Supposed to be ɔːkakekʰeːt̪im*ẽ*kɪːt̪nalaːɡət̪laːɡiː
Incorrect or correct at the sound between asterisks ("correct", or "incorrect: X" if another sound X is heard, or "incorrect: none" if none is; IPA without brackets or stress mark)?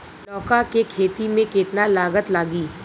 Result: correct